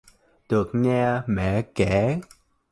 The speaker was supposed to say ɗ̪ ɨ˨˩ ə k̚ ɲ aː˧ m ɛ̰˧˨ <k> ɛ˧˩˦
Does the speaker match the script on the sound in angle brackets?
yes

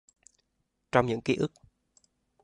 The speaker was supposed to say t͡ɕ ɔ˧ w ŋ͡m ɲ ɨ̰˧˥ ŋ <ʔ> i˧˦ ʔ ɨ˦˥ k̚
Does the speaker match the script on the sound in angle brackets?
no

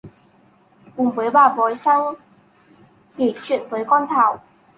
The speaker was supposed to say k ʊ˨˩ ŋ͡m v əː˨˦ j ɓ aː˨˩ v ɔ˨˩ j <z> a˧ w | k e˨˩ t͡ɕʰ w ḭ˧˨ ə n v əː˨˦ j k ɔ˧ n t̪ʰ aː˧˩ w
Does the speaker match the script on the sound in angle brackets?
no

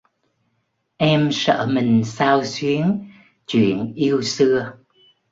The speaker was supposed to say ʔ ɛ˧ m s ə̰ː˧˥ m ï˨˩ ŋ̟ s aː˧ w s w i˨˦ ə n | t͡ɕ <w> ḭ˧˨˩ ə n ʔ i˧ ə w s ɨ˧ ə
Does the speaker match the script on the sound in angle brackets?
yes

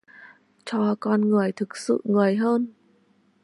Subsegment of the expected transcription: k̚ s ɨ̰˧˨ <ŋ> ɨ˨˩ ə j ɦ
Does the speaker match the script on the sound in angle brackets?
yes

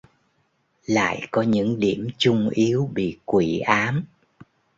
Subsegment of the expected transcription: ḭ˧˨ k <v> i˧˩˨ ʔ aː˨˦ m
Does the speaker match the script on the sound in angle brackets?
no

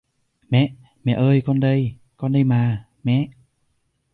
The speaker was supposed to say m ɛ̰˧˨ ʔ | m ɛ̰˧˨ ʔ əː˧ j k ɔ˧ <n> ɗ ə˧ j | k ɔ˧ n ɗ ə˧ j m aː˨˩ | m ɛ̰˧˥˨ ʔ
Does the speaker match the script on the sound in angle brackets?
yes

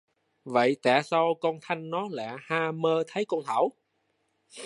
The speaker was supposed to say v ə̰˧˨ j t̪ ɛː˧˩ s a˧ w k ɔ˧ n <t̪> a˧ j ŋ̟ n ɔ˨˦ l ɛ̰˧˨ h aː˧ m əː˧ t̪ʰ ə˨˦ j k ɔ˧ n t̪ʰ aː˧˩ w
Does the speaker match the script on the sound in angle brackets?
no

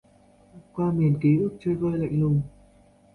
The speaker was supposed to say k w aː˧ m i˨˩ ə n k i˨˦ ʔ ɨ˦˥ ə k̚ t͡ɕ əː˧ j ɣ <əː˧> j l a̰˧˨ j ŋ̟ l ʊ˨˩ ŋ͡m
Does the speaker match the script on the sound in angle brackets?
yes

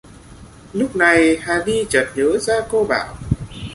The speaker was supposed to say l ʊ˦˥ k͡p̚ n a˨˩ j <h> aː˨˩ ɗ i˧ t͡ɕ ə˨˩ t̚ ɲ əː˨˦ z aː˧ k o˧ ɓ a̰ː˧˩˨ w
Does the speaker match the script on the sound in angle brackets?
yes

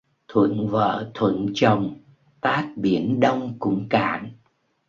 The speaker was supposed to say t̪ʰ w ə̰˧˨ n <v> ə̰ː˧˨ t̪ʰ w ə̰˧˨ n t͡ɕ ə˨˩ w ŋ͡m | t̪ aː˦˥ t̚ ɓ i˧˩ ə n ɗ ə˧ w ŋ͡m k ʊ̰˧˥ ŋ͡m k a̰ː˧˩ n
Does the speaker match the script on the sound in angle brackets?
yes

